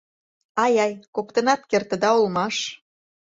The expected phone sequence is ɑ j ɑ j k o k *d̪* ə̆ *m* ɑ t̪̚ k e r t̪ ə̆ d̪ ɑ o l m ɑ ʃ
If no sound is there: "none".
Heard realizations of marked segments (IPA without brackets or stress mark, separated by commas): t̪, n